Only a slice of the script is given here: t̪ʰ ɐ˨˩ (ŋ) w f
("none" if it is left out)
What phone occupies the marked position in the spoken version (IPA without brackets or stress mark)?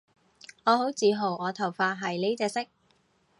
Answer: none